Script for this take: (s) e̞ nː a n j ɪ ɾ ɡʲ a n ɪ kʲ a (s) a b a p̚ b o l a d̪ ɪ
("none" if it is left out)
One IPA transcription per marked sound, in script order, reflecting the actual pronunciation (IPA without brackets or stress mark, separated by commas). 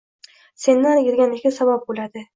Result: s, s